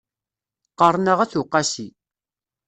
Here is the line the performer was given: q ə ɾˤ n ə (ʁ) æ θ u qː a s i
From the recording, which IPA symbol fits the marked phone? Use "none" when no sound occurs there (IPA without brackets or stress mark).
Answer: ʁ